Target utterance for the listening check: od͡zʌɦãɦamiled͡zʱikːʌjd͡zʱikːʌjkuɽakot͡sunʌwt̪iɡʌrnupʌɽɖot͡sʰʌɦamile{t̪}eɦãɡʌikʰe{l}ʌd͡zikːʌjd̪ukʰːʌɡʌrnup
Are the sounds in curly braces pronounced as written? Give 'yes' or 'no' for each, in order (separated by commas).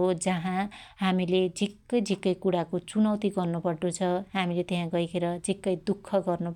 yes, no